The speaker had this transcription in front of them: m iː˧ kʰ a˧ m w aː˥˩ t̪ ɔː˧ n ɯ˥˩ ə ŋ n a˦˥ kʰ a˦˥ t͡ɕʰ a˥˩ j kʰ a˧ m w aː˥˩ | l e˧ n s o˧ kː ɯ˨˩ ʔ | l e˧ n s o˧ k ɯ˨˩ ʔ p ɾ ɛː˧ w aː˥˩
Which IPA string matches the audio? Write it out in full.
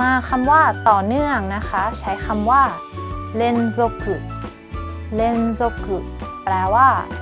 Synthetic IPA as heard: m aː˧ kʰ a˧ m w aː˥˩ t̪ ɔː˨˩ n ɯ˥˩ ə ŋ n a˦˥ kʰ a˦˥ t͡ɕʰ a˦˥ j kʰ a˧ m w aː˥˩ | l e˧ n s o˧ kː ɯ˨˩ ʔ | l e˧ n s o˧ k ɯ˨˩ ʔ p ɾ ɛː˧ w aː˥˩